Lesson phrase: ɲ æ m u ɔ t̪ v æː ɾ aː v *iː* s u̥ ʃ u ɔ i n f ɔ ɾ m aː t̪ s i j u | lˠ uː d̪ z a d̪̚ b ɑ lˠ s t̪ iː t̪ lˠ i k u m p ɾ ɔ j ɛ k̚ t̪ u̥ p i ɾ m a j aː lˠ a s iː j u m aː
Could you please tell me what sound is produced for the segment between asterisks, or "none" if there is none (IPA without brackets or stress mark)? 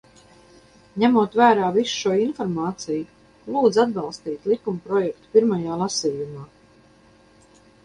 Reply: i